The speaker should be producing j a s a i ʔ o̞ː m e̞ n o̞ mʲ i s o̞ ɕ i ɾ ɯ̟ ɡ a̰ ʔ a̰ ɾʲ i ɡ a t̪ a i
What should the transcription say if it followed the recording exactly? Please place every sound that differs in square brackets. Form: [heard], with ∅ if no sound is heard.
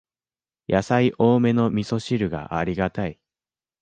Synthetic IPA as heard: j a s a i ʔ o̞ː m e̞ n o̞ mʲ i s o̞ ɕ i ɾ ɯ̟ ɡ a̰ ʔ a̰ ɾʲ i ɡ a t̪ a i

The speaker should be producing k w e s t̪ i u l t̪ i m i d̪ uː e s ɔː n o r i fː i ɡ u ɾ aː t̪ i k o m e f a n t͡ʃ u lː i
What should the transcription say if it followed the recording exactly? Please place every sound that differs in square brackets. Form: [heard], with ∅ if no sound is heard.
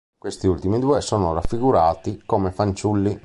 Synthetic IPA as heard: k w e s t̪ i u l t̪ i m i d̪ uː e s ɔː n o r [a] fː i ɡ u ɾ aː t̪ i k o m e f a n t͡ʃ u lː i

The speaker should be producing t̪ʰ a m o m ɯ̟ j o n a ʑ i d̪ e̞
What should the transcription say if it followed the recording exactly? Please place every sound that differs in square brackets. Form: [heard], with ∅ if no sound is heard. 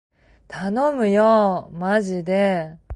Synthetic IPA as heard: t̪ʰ a [n] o m ɯ̟ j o [m] a ʑ i d̪ e̞

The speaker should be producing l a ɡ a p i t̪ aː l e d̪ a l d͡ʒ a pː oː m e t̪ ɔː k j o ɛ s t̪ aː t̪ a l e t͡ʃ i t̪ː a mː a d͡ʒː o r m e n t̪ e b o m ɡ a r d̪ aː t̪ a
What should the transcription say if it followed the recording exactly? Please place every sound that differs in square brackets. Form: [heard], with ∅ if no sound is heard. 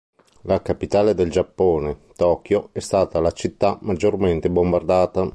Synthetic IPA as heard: l a [k] a p i t̪ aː l e d̪ [e] l d͡ʒ a pː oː [n] e t̪ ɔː k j o ɛ s t̪ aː t̪ a l [a] t͡ʃ i t̪ː a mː a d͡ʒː o r m e n t̪ e b o m [b] a r d̪ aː t̪ a

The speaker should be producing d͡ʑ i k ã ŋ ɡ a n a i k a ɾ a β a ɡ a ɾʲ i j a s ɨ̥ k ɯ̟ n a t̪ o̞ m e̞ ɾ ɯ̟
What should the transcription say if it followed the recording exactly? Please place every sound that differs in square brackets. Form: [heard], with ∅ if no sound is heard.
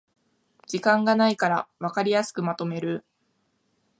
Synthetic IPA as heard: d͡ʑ i k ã ŋ ɡ a n a i k a ɾ a β a [k] a ɾʲ i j a s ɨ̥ k ɯ̟ [m] a t̪ o̞ m e̞ ɾ ɯ̟

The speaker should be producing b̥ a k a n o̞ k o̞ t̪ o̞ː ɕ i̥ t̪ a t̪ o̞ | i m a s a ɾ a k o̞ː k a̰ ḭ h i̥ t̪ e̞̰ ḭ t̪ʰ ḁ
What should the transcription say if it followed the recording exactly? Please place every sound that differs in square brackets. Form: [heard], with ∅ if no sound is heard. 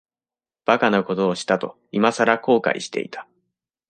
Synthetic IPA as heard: b̥ a k a n o̞ k o̞ t̪ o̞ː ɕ i̥ t̪ a t̪ o̞ | i m a s a ɾ a k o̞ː k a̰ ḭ [ɕ] i̥ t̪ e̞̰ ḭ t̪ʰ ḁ

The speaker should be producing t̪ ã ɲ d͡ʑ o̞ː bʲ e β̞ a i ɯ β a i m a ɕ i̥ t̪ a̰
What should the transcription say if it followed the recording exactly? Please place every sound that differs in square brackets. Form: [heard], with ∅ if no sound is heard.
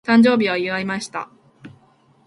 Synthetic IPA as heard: t̪ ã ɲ d͡ʑ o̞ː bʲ [i] β̞ a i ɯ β a i m a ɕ i̥ t̪ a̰

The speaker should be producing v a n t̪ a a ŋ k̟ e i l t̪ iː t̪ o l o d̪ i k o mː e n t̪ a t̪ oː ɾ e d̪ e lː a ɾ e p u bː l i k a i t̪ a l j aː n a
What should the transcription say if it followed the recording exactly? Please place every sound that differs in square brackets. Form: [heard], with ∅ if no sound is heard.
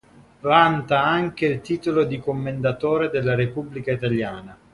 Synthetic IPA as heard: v a n t̪ a a ŋ k̟ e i l t̪ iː t̪ o l o d̪ i k o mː e n [d̪] a t̪ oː ɾ e d̪ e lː a ɾ e p u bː l i k a i t̪ a l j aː n a

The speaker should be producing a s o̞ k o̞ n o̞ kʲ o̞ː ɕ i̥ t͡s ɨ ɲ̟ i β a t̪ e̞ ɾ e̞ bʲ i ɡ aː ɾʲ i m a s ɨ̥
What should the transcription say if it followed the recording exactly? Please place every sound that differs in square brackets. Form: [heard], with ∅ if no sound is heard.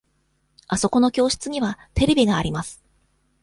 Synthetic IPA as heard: a s o̞ k o̞ n o̞ kʲ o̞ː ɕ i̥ t͡s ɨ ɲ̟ i β a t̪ e̞ ɾ e̞ bʲ i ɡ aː ɾʲ i m a s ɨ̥

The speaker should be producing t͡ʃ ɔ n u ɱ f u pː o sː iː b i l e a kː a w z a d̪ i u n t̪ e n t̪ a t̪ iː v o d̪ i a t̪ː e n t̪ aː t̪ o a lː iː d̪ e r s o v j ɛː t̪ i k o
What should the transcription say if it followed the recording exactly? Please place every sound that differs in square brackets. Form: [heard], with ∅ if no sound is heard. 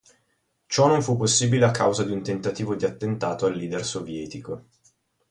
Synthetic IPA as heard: t͡ʃ ɔ n [o] ɱ f u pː o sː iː b i l e a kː a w z a d̪ i u n t̪ e n t̪ a t̪ iː v o d̪ i a t̪ː e n t̪ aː t̪ o a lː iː d̪ e r s o v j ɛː t̪ i k o

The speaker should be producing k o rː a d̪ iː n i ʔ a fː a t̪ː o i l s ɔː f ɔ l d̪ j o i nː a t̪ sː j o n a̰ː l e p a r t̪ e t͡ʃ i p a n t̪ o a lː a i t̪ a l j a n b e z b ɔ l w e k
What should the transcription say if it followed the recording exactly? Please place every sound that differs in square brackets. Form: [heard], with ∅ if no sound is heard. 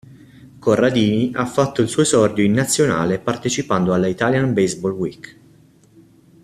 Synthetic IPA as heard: k o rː a d̪ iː n i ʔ a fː a t̪ː o i l s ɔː [s] ɔ [r] d̪ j o i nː a t̪ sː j o n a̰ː l e p a r t̪ e t͡ʃ i p a n [d̪] o a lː a i t̪ a l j a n b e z b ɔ l w [i] k

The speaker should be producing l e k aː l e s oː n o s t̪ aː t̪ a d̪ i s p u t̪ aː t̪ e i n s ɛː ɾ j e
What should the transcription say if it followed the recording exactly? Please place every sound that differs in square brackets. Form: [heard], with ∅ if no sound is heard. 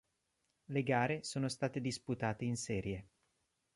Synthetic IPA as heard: l e [ɡ] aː [ɾ] e s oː n o s t̪ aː t̪ [e] d̪ i s p u t̪ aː t̪ e i n s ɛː ɾ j e

